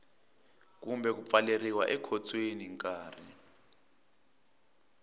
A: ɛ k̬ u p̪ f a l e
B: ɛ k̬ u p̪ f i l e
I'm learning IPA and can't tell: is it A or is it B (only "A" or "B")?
A